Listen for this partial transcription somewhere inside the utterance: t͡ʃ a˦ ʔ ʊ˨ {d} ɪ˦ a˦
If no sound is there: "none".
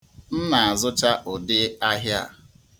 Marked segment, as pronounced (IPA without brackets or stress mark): d